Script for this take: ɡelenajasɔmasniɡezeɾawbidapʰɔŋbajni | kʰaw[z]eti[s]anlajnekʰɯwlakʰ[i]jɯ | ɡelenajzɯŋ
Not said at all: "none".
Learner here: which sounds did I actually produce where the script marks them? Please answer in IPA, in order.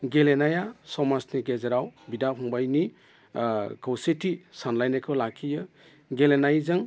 s, s, i

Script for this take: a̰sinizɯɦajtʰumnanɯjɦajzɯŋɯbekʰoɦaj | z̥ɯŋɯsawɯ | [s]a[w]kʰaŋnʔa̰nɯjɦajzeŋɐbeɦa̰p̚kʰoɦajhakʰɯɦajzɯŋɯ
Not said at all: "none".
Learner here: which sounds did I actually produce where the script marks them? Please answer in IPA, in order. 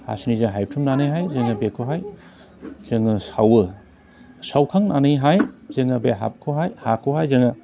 s, w

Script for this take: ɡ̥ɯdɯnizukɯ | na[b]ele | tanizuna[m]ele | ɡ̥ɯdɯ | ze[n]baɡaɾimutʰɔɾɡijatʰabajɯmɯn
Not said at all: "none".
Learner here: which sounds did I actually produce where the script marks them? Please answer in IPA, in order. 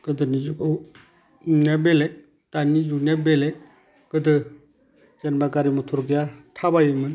b, b, n

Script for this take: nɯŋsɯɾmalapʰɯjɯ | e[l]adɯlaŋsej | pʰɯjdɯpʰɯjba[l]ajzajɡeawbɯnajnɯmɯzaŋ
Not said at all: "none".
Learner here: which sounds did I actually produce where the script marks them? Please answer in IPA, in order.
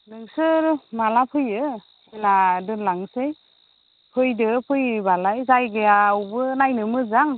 l, l

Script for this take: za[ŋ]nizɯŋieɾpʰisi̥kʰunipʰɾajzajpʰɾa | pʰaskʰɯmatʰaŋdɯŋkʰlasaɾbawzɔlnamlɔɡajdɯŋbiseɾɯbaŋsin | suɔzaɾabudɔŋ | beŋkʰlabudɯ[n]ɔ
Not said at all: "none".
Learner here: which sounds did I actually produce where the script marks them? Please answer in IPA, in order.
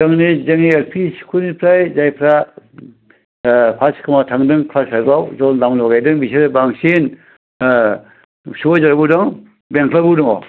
ŋ, ŋ

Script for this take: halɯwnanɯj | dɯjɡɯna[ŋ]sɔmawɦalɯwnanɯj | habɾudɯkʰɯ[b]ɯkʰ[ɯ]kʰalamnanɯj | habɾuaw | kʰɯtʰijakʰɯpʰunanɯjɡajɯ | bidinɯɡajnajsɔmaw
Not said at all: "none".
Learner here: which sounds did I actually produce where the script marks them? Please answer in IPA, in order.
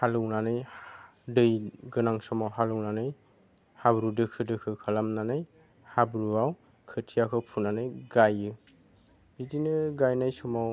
ŋ, d, ɯ

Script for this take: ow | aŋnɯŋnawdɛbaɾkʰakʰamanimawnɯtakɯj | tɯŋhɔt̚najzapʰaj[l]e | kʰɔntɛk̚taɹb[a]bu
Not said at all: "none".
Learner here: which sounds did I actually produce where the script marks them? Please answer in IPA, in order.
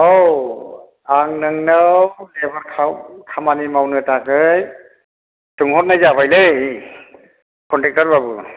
l, a

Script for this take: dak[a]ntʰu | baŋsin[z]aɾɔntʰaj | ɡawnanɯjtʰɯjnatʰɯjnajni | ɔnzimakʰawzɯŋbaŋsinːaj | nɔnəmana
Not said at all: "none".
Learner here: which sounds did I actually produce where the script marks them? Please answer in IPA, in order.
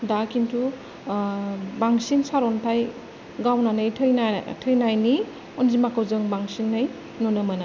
i, s

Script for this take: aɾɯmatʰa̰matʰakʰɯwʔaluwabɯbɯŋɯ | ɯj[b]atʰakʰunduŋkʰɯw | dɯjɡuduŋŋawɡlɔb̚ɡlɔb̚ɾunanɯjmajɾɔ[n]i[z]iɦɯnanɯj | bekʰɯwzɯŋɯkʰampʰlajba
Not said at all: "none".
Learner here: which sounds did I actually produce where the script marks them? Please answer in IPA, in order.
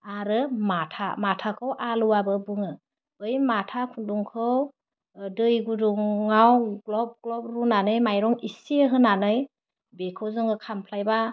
m, ŋ, s

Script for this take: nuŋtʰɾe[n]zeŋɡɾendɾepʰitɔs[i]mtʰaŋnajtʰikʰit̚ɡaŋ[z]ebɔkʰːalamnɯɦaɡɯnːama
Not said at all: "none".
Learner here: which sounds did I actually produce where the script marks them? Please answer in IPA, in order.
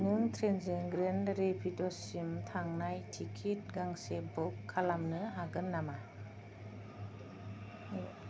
n, i, s

